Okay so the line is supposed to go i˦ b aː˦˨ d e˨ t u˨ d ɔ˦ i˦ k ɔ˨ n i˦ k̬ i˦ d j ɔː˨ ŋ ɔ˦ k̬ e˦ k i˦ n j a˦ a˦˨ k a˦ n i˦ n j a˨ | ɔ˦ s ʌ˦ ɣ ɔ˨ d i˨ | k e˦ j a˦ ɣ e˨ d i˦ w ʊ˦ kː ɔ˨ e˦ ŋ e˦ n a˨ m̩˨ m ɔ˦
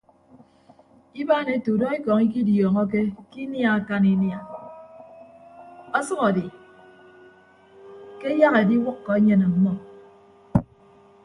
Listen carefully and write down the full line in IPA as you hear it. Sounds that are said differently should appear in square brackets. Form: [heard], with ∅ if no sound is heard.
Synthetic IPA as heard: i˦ b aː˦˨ [n] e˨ t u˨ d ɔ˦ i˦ k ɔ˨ [ŋ] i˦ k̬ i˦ d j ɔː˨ ŋ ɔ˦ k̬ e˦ k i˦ n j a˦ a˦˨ k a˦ n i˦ n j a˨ | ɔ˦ s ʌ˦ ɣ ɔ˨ d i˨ | k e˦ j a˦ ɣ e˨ d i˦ w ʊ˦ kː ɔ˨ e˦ [ɲ] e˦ n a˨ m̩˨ m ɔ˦